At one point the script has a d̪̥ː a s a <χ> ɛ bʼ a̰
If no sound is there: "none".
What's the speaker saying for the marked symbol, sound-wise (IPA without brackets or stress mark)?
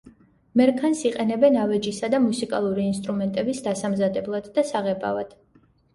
ʁ